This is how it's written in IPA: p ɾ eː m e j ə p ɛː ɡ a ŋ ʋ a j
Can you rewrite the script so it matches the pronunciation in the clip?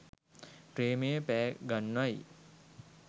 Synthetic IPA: p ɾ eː m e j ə p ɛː ɡ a n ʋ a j